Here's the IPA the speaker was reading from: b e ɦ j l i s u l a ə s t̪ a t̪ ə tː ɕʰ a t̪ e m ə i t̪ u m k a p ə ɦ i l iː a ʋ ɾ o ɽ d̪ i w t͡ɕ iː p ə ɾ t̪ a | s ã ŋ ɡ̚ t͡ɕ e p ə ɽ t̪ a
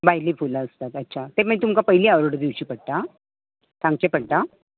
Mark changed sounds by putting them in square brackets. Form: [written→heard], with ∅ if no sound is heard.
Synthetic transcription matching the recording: b [e→a] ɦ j l i [s→f] u l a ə s t̪ a t̪ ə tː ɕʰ a t̪ e m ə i t̪ u m k a p ə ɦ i l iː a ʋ ɾ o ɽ d̪ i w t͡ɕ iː p ə [ɾ→ɽ] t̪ a | s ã ŋ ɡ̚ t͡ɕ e p ə ɽ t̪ a

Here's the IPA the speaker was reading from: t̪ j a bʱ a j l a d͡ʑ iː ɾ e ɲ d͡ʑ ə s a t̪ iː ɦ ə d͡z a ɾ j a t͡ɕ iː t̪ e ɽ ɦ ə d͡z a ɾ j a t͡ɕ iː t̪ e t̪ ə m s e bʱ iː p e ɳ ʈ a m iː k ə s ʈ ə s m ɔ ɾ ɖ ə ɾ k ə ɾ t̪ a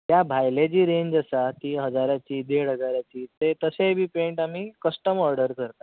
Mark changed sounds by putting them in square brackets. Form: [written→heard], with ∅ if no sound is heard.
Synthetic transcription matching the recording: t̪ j a bʱ a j l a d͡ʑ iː ɾ e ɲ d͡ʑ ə s a t̪ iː ɦ ə d͡z a ɾ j a t͡ɕ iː [t̪→d̪] e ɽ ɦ ə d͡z a ɾ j a t͡ɕ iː t̪ e t̪ ə [m→∅] s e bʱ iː p e ɳ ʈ a m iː k ə s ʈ ə [s→∅] m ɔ ɾ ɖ ə ɾ k ə ɾ t̪ a

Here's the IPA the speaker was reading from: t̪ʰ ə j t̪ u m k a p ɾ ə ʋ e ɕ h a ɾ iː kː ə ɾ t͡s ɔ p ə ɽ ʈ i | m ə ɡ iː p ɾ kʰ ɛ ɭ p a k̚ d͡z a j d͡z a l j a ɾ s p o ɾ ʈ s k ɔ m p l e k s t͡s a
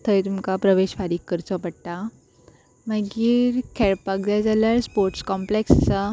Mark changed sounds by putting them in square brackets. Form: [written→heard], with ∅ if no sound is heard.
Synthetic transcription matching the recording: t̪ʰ ə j t̪ u m k a p ɾ ə ʋ e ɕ [h→f] a ɾ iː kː ə ɾ t͡s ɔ p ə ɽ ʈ [i→a] | m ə ɡ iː [p→∅] ɾ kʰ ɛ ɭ p a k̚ d͡z a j d͡z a l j a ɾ s p o ɾ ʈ s k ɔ m p l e k s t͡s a

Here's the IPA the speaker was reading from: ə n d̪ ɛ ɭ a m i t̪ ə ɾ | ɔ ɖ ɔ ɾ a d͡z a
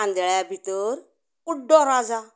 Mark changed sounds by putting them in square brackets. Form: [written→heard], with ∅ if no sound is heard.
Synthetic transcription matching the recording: [ə→a] n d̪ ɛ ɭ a [m→b] i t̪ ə ɾ | [ɔ→u] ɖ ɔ ɾ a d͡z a

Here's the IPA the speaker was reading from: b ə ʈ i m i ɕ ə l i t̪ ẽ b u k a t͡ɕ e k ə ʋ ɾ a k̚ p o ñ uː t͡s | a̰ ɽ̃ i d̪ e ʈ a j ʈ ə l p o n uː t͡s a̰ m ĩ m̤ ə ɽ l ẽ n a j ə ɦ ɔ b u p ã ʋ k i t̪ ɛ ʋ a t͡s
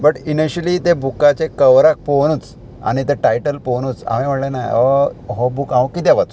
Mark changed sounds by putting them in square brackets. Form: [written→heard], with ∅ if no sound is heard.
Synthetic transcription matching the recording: b ə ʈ i [m→n] i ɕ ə l i t̪ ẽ b u k a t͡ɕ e k ə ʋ ɾ a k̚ p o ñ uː t͡s | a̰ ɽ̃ i [d̪→t̪] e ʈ a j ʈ ə l p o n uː t͡s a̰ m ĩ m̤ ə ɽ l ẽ n a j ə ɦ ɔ b u [p→k] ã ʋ k i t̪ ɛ ʋ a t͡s

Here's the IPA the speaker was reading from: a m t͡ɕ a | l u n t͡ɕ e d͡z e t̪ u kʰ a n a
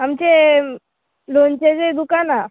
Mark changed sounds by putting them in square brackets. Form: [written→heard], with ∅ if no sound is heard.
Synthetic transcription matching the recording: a m t͡ɕ [a→e] | l [u→o] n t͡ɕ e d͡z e [t̪→d̪] u [kʰ→k] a n a

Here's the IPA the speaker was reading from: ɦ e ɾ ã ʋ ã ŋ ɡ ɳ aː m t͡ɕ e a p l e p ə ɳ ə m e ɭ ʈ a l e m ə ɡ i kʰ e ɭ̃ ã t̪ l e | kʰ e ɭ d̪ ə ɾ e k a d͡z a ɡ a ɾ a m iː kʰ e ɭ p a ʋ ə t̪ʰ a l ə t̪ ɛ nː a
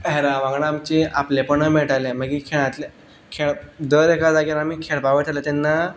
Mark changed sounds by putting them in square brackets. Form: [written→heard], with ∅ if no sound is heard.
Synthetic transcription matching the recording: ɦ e ɾ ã ʋ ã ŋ ɡ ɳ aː m t͡ɕ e a p l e p ə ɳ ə m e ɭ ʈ a l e m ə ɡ i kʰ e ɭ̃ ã t̪ l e | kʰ e ɭ d̪ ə ɾ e k a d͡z a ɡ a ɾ a m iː kʰ e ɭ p a ʋ ə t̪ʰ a l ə t̪ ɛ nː a

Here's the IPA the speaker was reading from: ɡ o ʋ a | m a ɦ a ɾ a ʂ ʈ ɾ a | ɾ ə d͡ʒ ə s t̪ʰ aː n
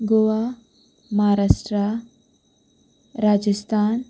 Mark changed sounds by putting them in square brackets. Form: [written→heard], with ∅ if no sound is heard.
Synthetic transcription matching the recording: ɡ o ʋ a | m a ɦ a ɾ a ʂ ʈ ɾ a | ɾ [ə→a] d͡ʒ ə s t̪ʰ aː n

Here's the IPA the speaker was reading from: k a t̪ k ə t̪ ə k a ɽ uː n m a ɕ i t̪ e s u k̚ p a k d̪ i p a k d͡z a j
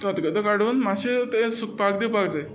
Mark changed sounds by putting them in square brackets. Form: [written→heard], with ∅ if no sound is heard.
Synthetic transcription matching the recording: k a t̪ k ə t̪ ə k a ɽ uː n m a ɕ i t̪ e s u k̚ p a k d̪ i p a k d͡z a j

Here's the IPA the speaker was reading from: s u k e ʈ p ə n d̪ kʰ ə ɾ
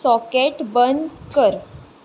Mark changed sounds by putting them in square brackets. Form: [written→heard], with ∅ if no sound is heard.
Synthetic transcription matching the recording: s [u→ɔ] k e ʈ [p→b] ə n d̪ [kʰ→k] ə ɾ

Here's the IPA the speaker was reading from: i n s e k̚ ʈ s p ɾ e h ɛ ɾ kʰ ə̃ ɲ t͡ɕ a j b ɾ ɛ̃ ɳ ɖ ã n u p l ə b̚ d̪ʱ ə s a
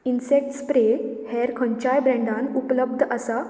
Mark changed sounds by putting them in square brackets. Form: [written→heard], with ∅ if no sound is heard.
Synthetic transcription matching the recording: i n s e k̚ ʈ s p ɾ e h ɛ ɾ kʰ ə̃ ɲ t͡ɕ a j b ɾ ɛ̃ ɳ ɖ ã n u p l ə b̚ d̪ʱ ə s a

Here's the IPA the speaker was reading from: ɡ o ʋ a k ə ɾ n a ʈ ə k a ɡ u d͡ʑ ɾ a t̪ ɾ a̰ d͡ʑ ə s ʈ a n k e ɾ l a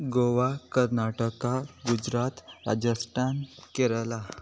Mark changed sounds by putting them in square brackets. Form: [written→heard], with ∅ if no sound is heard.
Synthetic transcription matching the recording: ɡ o ʋ a k ə ɾ n a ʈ ə k a ɡ u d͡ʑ ɾ a t̪ ɾ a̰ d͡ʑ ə s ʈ a n k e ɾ l a

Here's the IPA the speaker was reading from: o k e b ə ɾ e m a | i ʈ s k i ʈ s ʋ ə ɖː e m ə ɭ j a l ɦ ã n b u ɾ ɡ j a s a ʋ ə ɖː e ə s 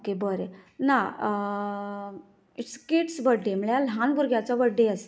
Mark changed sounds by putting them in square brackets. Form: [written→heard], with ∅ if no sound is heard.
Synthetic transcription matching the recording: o k e b ə ɾ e [m→n] a | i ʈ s k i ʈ s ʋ ə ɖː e m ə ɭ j a l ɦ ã n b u ɾ ɡ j a [s→t͡s] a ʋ ə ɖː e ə s

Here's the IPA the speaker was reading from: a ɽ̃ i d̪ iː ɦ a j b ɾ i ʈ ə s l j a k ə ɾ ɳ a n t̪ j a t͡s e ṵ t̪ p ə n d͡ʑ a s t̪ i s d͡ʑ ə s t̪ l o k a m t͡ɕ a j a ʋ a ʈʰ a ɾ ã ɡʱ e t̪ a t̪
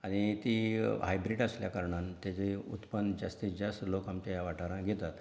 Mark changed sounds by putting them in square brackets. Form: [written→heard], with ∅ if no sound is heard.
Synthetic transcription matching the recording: a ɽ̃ i [d̪→t̪] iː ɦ a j b ɾ i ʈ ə s l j a k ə ɾ ɳ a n t̪ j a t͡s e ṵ t̪ p ə n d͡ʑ a s t̪ i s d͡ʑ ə s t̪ l o k a m t͡ɕ a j a ʋ a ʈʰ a ɾ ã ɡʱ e t̪ a t̪

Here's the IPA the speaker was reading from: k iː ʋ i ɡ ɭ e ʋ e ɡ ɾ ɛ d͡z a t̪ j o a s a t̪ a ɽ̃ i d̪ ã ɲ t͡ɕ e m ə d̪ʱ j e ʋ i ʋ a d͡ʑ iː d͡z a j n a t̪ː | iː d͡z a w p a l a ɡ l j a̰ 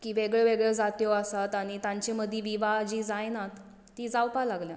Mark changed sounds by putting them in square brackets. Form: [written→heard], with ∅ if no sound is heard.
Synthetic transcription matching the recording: k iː ʋ [i→e] ɡ ɭ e ʋ e ɡ [ɾ→ɭ] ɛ d͡z a t̪ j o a s a t̪ a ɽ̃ i [d̪→t̪] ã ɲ t͡ɕ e m ə d̪ʱ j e ʋ i ʋ a d͡ʑ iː d͡z a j n a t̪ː | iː d͡z a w p a l a ɡ l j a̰

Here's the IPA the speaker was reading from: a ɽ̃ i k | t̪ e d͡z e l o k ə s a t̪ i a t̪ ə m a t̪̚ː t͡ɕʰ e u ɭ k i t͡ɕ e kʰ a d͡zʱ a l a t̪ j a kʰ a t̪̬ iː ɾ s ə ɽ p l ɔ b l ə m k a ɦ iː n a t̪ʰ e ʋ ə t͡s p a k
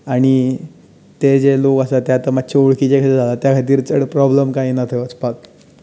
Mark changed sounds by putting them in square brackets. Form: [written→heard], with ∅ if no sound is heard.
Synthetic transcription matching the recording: a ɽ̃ i [k→∅] | t̪ e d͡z e l o k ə s a t̪ [i→j] a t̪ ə m a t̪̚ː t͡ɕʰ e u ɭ k i t͡ɕ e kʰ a d͡zʱ a l a t̪ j a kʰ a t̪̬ iː ɾ [s→t͡s] ə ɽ p [l→ɾ] ɔ b l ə m k a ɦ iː n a t̪ʰ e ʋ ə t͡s p a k

